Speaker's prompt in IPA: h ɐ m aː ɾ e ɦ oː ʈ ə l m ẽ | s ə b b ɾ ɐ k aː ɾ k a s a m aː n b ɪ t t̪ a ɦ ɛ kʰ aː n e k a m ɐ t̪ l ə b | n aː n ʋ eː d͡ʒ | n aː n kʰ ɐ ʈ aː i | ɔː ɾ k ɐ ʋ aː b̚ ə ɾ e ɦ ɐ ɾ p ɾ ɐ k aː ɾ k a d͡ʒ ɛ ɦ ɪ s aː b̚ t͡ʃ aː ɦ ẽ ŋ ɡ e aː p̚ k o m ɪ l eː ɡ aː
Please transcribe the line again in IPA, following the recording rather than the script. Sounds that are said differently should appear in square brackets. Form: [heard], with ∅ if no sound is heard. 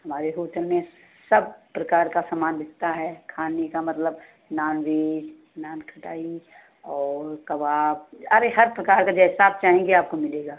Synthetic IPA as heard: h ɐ m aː ɾ e ɦ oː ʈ ə l m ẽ | s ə b [p] ɾ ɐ k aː ɾ k a s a m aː n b ɪ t t̪ a ɦ ɛ kʰ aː n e k a m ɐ t̪ l ə b | n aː n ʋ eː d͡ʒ | n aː n kʰ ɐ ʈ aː i | ɔː ɾ k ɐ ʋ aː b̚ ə ɾ e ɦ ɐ ɾ p ɾ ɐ k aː ɾ k a d͡ʒ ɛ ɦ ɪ s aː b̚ t͡ʃ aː ɦ ẽ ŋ ɡ e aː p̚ k o m ɪ l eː ɡ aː